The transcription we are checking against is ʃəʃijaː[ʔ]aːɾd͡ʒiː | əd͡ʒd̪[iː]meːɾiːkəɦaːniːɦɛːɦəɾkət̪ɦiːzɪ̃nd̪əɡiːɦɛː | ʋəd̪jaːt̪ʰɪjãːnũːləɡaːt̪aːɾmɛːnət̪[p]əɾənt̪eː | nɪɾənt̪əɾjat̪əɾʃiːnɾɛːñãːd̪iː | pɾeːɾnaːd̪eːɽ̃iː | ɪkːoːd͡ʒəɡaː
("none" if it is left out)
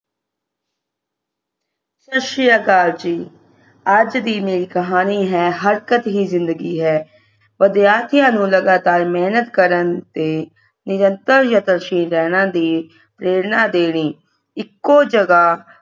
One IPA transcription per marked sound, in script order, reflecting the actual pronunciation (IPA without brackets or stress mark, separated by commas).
k, iː, k